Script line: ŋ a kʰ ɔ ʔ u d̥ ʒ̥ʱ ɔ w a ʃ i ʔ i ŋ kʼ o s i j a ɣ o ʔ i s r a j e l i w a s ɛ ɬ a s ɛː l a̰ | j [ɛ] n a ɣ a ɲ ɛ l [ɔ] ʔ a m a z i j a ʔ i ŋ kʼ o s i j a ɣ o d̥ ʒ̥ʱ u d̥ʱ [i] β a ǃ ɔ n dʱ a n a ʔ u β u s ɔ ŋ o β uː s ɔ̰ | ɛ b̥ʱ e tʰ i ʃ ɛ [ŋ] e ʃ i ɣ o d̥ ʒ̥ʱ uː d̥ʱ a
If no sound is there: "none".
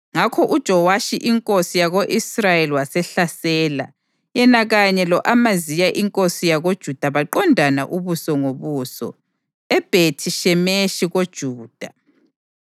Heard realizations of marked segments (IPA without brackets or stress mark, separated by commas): ɛ, ɔ, a, m